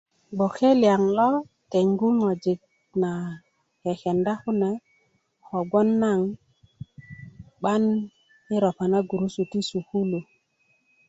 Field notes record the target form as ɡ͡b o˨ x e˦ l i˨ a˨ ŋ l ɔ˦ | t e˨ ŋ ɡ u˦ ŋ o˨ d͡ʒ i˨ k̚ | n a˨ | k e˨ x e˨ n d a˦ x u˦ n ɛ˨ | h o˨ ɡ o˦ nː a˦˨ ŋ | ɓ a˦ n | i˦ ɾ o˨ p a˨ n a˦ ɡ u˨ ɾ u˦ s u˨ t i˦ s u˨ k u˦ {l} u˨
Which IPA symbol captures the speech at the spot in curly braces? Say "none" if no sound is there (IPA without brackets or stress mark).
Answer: l